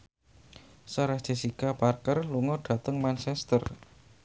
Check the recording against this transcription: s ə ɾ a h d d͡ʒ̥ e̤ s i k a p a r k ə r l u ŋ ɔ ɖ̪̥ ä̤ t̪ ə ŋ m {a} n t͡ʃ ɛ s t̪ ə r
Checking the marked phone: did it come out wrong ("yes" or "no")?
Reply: no